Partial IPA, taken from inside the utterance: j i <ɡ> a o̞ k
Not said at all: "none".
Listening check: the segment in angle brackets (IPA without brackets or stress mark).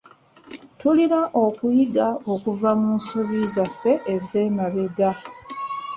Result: ɡ